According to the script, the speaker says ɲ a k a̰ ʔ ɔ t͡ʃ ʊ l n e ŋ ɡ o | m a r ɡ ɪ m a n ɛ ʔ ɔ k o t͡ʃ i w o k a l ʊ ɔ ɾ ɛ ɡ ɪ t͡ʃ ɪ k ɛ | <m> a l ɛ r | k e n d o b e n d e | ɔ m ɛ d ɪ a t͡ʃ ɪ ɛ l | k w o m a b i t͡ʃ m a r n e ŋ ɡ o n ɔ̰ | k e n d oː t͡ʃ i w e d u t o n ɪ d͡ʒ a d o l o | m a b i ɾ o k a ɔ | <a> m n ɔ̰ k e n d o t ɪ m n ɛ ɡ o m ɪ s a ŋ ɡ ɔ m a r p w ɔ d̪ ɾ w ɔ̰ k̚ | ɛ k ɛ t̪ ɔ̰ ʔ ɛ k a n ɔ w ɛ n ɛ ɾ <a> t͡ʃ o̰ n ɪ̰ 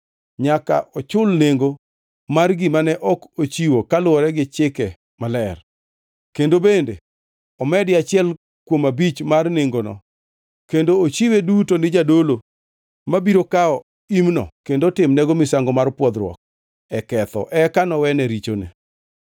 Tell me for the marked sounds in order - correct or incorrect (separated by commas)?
correct, incorrect, incorrect